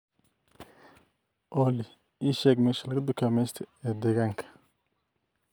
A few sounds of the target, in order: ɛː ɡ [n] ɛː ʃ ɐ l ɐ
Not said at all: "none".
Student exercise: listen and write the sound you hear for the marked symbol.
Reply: m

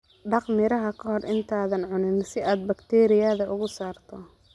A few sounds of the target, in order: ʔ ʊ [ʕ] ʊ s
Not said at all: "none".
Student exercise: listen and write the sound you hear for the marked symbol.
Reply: ɣ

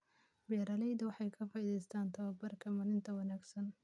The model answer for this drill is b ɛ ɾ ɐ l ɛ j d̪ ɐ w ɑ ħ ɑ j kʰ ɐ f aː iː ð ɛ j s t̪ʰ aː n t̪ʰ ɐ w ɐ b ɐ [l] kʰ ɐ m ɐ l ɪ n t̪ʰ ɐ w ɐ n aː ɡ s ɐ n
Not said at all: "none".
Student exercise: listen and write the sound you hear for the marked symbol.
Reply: r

